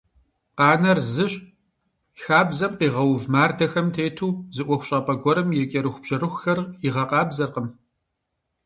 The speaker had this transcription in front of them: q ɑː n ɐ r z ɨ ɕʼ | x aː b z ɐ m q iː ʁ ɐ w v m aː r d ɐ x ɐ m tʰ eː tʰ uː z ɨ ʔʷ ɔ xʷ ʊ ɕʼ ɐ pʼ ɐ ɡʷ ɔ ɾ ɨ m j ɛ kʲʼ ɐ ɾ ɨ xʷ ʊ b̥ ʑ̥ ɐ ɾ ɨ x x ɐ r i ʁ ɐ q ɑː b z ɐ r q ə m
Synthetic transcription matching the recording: q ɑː n ɐ r z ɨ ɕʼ | x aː b z ɐ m q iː ʁ ɐ w v m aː r d ɐ x ɐ m tʰ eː tʰ uː z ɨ ʔʷ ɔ xʷ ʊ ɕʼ ɐ pʼ ɐ ɡʷ ɔ ɾ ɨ m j ɛ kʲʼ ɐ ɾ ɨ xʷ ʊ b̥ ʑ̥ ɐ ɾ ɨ x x ɐ r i ʁ ɐ q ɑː b z ɐ r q ə m